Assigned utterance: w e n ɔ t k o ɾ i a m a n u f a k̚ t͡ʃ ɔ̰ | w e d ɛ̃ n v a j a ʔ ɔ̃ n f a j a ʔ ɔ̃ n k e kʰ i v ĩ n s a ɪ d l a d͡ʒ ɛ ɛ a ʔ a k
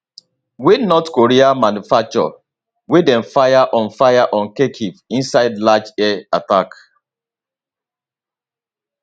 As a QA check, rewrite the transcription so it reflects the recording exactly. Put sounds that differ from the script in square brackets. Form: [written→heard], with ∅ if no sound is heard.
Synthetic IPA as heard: w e n ɔ t k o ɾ i a m a n u f a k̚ t͡ʃ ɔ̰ | w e d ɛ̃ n [v→f] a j a ʔ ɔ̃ n f a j a ʔ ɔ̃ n k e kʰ i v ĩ n s a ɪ d l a d͡ʒ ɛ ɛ a [ʔ→t] a k